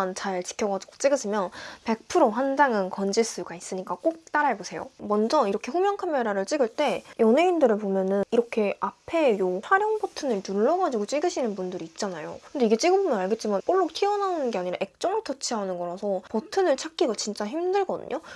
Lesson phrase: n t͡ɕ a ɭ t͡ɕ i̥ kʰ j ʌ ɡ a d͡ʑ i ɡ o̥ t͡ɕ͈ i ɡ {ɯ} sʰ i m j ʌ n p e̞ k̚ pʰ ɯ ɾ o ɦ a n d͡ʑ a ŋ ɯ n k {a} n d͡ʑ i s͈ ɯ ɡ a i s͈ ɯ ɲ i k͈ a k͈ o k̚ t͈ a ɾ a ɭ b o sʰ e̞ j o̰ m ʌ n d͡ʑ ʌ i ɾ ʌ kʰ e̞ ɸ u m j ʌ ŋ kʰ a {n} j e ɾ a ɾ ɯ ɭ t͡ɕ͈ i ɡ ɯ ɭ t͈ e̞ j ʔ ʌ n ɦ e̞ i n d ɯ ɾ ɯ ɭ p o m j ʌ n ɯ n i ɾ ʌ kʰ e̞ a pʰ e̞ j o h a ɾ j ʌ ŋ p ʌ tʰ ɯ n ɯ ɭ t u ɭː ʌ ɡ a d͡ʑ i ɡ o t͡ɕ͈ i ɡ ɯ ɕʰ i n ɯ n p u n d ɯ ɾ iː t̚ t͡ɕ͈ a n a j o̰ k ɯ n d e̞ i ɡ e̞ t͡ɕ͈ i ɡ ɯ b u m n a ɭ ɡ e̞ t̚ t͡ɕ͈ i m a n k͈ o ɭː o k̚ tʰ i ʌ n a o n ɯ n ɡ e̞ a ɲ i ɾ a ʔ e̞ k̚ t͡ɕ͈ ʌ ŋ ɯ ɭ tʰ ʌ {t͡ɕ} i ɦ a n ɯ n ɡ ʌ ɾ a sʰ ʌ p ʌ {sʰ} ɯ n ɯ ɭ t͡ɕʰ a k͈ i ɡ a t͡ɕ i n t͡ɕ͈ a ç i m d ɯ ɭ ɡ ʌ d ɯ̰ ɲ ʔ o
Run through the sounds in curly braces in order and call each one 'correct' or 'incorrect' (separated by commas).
correct, incorrect, incorrect, incorrect, incorrect